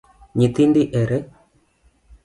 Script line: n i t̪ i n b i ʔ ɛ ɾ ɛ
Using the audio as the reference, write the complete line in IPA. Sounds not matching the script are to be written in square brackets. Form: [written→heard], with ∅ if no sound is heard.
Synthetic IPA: [n→ɲ] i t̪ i n [b→d] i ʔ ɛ ɾ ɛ